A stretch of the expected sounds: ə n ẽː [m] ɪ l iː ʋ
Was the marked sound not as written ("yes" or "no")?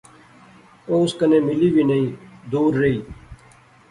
no